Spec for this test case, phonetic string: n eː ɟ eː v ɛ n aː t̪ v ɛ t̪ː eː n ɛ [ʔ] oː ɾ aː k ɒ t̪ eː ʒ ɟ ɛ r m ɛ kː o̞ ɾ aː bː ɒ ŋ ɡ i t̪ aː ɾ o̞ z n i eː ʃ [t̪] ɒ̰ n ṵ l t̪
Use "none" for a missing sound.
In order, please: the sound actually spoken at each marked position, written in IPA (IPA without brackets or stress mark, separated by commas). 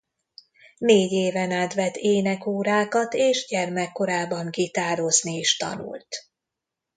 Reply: k, t̪